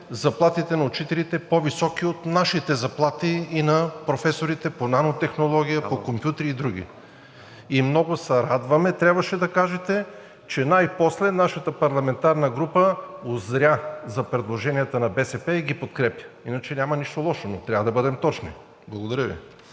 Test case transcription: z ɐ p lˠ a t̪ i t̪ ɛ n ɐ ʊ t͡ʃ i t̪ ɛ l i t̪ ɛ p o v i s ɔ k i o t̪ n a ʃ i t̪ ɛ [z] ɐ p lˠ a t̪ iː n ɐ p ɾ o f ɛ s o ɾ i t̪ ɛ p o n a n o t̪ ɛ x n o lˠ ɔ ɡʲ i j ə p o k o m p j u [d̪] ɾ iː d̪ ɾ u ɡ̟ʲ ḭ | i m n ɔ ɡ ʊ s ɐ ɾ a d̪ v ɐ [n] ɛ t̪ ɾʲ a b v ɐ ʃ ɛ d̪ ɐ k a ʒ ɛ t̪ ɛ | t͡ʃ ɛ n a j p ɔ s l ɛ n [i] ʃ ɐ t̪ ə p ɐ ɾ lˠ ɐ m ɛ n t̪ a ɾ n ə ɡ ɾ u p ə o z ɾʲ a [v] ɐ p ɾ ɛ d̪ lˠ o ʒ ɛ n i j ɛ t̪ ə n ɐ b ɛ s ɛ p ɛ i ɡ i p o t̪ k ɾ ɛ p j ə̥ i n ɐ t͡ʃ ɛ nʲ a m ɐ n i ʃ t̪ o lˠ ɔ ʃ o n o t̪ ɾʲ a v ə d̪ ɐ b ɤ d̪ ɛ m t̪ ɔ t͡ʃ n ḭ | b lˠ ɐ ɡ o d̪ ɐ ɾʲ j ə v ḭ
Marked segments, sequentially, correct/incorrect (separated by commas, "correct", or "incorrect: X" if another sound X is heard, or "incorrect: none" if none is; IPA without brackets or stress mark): correct, incorrect: t̪, incorrect: m, incorrect: a, incorrect: z